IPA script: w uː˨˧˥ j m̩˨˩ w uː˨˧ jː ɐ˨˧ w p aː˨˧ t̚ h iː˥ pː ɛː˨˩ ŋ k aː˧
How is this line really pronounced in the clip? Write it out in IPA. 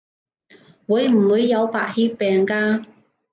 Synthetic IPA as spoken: w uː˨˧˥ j m̩˨˩ w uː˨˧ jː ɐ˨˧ w p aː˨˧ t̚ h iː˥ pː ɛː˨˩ ŋ k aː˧